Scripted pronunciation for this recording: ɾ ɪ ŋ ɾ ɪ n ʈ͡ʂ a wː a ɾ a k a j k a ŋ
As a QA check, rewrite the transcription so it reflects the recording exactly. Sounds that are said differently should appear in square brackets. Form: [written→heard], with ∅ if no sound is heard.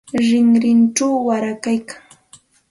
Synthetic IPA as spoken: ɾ ɪ ŋ ɾ ɪ n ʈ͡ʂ a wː a ɾ a k a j k a ŋ